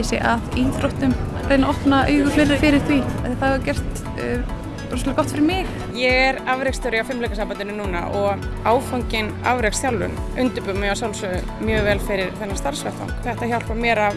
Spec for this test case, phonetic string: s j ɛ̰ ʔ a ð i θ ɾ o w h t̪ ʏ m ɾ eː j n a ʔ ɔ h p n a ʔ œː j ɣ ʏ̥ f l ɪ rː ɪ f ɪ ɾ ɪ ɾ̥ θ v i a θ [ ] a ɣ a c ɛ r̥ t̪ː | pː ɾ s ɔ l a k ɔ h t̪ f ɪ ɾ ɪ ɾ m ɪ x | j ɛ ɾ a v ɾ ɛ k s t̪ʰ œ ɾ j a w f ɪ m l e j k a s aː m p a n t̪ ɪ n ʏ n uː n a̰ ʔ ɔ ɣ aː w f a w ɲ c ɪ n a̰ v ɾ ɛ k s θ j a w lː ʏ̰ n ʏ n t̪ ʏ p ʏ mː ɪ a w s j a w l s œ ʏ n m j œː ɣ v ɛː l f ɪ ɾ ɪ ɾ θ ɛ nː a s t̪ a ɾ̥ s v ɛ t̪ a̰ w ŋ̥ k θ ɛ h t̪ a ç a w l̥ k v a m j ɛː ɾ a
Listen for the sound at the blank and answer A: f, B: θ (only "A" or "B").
B